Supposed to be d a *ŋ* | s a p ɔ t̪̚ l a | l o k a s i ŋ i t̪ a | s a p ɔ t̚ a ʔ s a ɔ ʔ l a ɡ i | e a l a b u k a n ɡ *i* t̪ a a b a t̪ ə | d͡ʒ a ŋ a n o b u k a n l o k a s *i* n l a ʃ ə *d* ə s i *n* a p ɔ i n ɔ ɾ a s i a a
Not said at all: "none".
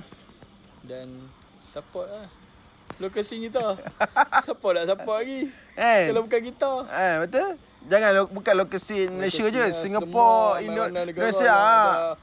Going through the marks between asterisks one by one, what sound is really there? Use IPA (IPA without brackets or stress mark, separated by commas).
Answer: n, i, i, d͡ʒ, ŋ